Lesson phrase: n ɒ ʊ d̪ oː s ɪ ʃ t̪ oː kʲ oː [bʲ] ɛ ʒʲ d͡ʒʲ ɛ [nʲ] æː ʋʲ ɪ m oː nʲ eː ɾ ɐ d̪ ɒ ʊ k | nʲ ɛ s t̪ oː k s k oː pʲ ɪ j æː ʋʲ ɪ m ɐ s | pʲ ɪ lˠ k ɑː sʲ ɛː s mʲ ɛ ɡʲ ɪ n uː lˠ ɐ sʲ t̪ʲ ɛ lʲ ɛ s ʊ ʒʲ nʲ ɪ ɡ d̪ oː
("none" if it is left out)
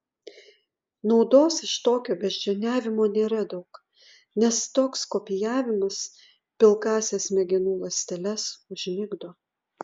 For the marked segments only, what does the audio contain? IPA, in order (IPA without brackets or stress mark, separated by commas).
bʲ, nʲ